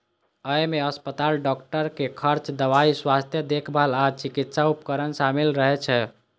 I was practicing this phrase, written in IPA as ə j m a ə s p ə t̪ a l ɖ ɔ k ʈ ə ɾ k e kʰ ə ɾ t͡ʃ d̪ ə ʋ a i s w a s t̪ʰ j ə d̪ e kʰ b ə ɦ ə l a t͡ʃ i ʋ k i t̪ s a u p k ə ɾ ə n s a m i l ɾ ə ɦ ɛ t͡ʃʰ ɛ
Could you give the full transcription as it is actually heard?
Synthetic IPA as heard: ə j m e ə s p ə t̪ a l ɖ ɔ k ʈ ə ɾ k e kʰ ə ɾ t͡ʃ d̪ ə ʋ a i s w a s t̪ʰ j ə d̪ e kʰ b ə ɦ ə l a t͡ʃ i k i t̪ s a u p k ə ɾ ə n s a m i l ɾ ə ɦ ɛ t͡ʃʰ ɛ

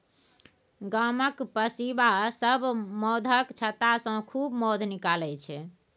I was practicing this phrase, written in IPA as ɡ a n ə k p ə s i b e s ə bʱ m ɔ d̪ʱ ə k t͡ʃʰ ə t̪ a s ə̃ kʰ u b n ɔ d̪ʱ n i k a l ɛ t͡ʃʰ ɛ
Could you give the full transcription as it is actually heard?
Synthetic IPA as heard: ɡ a m ə k p ə s i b a s ə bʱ m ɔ d̪ʱ ə k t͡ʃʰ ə t̪ a s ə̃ kʰ u b m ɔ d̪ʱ n i k a l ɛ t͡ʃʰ ɛ

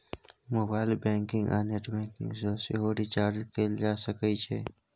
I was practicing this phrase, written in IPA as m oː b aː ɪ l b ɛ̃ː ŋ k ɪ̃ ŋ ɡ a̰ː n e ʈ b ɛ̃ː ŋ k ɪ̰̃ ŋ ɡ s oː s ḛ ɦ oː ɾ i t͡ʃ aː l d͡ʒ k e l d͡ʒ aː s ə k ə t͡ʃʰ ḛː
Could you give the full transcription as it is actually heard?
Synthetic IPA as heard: m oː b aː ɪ l b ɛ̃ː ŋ k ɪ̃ ŋ ɡ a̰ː n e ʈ b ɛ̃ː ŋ k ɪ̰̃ ŋ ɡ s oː s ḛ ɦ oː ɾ i t͡ʃ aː ɾ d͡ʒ k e l d͡ʒ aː s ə k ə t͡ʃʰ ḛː

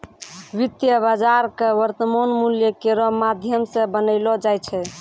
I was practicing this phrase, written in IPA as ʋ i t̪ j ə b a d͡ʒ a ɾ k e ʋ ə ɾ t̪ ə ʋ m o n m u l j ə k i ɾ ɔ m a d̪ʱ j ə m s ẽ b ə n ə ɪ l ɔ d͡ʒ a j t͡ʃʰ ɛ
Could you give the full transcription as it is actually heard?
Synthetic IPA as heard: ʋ i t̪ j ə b a d͡ʒ a ɾ k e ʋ ə ɾ t̪ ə m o n m u l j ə k e ɾ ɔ m a d̪ʱ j ə m s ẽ b ə n ə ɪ l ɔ d͡ʒ a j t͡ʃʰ ɛ

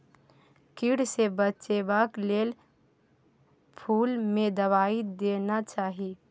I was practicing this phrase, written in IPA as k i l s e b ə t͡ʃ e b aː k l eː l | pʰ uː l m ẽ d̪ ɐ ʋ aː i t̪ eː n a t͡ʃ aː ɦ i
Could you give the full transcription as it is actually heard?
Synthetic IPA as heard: k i ɽ s e b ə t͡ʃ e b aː k l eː l | pʰ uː l m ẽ d̪ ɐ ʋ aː i d̪ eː n a t͡ʃ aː ɦ i

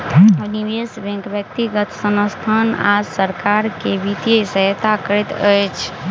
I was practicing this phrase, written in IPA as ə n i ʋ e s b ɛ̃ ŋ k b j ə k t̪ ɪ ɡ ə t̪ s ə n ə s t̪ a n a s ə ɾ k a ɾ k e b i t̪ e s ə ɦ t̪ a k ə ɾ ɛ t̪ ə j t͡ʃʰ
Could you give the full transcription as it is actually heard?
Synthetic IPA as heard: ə n i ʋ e s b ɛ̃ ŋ k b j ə k t̪ i ɡ ə t̪ s ə n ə s t̪ʰ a n a s ə ɾ k a ɾ k e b i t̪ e s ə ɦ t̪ a k ə ɾ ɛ t̪ ə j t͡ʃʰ

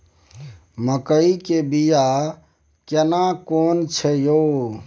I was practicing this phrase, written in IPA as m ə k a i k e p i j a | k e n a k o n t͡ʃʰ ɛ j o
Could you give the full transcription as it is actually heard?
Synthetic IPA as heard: m ə k ə i k e b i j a | k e n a k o n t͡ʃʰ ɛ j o

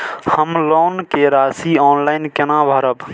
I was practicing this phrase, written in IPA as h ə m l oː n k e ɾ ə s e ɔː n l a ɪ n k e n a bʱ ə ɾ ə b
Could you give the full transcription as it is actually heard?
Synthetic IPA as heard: h ə m l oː n k e ɾ a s i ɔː n l a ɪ n k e n a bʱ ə ɾ ə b

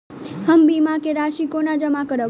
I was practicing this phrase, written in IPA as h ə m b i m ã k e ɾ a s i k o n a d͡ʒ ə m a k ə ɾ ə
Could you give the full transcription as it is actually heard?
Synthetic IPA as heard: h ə m b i m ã k e ɾ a ʃ i k o n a d͡ʒ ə m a k ə ɾ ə

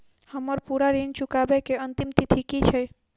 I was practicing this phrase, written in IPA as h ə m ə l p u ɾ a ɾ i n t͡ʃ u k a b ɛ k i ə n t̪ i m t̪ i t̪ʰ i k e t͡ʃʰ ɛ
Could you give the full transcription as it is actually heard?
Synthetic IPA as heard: h ə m ə ɾ p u ɾ a ɾ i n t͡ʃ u k a b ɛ k e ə n t̪ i m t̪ i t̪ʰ i k i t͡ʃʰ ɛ

